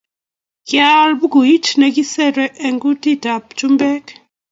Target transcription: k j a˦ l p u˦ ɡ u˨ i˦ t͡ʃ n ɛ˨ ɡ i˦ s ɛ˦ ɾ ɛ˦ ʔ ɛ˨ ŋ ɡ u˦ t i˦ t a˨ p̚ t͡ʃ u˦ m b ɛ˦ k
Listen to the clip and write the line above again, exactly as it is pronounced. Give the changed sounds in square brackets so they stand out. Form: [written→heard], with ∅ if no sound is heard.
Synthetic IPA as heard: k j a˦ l [p→b] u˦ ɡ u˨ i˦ t͡ʃ n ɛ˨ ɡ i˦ s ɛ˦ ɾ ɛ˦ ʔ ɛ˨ ŋ ɡ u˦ t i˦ t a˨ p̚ t͡ʃ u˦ m b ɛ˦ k